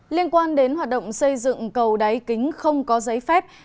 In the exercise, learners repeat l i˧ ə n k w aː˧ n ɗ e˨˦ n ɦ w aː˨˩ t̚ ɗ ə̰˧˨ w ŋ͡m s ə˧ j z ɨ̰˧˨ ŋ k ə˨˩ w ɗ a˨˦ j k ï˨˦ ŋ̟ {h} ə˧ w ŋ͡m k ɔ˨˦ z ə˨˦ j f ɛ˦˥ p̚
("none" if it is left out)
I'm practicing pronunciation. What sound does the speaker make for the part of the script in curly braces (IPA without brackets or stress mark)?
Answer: x